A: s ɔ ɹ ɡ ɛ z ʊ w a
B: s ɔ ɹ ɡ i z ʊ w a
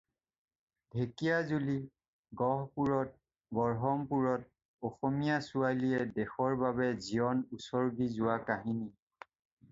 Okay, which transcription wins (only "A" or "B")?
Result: B